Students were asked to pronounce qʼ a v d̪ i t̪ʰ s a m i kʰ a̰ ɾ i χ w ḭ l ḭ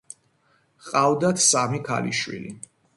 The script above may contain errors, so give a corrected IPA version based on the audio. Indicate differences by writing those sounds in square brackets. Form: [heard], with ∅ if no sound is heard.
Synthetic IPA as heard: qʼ a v d̪ [a] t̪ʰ s a m i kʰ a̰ [l] i [ʃ] w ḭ l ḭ